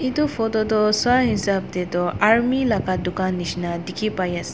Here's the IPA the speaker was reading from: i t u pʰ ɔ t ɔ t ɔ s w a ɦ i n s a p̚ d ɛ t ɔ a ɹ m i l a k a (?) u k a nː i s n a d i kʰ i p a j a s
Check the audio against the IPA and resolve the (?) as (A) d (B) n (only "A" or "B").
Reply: A